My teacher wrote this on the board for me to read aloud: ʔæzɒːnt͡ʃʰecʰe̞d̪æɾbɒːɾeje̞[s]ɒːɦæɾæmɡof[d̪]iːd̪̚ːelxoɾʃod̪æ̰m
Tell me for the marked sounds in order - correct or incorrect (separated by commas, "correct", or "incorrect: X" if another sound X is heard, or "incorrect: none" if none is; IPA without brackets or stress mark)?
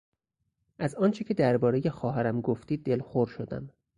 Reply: incorrect: x, incorrect: t̪